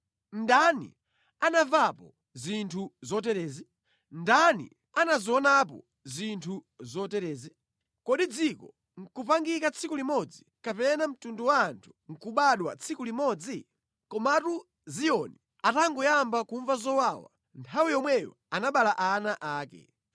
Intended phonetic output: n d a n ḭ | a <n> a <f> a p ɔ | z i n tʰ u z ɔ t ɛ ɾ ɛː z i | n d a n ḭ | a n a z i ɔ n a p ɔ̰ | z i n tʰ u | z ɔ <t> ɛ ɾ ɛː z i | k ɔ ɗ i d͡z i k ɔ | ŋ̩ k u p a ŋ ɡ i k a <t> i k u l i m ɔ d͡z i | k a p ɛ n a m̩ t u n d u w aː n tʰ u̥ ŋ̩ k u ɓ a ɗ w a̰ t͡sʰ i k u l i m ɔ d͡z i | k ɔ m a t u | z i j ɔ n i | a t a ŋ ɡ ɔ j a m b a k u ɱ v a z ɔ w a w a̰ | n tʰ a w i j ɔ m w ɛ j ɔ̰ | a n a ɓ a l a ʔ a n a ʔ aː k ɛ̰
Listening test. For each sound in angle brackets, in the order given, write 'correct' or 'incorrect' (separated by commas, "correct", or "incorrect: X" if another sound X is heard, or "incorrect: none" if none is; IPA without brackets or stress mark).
correct, incorrect: v, correct, incorrect: t͡sʰ